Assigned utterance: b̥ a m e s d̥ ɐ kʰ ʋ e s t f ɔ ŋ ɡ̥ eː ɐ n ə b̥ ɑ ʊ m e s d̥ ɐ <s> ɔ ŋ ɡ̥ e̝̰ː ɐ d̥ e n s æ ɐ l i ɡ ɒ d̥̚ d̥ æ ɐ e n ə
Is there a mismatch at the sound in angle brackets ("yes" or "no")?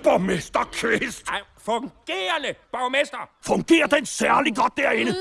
yes